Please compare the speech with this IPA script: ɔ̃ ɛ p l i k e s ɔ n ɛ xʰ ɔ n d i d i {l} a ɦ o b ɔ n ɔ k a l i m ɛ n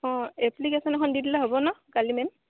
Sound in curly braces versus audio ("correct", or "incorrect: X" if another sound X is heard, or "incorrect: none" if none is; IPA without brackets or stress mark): correct